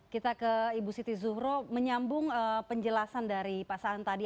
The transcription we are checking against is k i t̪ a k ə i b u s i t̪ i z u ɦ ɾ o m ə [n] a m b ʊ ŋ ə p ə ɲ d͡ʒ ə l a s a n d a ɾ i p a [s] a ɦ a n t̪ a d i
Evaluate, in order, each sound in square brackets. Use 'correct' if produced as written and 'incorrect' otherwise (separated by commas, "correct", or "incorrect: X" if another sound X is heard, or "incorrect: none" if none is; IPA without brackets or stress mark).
incorrect: ɲ, correct